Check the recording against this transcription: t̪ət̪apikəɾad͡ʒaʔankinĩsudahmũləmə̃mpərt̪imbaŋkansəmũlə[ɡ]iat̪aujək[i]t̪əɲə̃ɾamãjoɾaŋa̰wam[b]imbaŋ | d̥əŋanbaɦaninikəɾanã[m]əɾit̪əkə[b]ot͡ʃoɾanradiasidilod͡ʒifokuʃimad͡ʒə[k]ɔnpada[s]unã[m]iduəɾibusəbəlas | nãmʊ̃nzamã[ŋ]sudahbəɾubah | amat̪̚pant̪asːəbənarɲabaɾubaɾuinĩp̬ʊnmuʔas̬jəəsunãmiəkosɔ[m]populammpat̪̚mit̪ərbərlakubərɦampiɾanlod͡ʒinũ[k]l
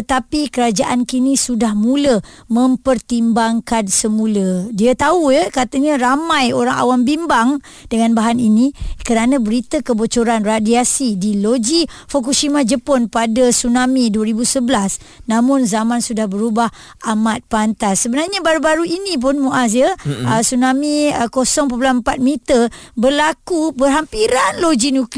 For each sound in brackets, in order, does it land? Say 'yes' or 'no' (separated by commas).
no, no, yes, no, yes, no, yes, yes, no, no, yes